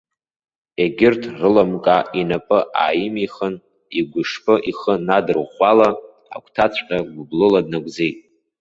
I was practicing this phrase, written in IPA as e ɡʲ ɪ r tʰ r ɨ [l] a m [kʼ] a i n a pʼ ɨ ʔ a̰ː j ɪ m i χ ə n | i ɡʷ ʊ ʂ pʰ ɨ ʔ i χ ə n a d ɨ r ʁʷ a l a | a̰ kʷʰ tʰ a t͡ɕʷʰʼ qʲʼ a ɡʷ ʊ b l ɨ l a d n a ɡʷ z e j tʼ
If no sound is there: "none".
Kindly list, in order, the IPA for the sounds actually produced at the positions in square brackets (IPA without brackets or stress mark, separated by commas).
l, kʼ